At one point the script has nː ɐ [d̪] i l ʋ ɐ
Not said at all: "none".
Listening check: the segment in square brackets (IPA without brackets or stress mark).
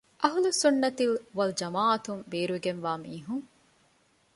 t̪